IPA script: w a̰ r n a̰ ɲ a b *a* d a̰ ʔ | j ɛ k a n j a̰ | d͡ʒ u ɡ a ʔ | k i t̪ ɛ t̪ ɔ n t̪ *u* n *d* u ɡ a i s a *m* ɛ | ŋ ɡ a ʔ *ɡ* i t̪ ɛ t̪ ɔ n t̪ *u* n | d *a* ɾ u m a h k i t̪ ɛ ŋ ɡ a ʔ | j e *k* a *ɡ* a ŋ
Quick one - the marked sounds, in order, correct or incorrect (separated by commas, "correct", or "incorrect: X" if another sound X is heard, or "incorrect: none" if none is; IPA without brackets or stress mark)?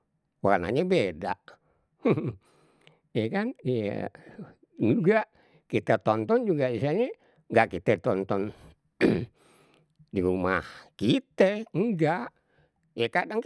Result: incorrect: e, incorrect: ɔ, incorrect: d͡ʒ, incorrect: ɲ, incorrect: k, incorrect: ɔ, incorrect: i, correct, incorrect: d